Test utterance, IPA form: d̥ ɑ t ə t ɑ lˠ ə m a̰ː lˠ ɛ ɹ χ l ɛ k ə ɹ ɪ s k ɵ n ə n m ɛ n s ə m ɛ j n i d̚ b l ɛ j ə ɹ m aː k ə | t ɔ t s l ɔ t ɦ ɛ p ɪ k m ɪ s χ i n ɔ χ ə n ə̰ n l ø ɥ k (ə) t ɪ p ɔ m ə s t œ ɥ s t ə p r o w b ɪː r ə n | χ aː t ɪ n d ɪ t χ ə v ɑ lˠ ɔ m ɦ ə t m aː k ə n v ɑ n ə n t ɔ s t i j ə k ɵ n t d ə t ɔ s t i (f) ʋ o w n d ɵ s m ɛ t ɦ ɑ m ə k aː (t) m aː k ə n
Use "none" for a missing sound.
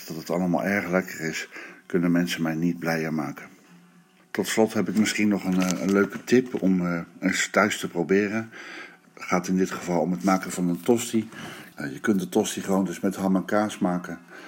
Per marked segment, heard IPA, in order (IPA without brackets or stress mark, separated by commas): ə, χ, s